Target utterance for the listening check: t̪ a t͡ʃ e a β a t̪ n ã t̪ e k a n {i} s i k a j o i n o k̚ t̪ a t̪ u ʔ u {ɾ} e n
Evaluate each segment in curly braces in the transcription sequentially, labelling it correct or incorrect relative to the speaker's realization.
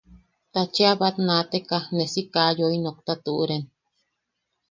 incorrect: e, correct

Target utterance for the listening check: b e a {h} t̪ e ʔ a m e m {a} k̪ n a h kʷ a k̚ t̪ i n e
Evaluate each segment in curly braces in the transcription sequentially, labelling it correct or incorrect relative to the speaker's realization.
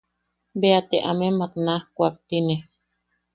incorrect: none, correct

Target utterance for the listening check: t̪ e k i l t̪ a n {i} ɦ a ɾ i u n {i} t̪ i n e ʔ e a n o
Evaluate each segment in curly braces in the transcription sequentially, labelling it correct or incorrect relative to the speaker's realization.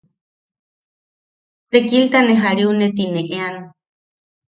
incorrect: e, incorrect: e

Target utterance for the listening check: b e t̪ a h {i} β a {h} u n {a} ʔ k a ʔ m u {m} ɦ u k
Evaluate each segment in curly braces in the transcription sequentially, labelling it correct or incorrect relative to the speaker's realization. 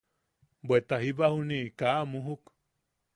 correct, correct, incorrect: i, incorrect: none

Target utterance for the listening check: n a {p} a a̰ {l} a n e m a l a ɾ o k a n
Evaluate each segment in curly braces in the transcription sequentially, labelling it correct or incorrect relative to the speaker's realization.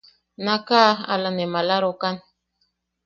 incorrect: k, correct

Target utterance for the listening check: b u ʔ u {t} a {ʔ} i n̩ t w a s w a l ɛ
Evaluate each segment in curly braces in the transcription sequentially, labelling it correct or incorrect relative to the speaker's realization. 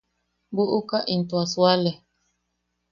incorrect: k, correct

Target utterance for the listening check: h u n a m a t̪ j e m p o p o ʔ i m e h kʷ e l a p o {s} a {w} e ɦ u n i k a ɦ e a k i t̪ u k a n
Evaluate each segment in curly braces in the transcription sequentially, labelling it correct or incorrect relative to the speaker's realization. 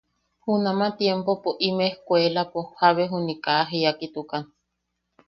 incorrect: h, incorrect: β

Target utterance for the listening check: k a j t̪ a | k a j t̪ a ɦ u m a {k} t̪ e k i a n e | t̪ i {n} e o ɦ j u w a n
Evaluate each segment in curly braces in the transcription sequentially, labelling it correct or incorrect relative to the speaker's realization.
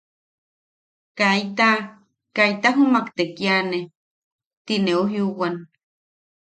correct, correct

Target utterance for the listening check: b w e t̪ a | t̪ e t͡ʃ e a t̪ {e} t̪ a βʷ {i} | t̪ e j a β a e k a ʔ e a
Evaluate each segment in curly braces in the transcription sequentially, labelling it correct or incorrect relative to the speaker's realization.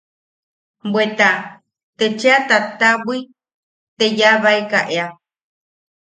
incorrect: a, correct

